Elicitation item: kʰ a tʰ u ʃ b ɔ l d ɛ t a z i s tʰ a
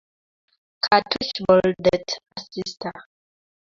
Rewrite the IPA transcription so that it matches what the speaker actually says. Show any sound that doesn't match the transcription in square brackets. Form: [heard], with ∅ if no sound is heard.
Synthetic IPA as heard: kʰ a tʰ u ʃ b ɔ l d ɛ t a [s] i s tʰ a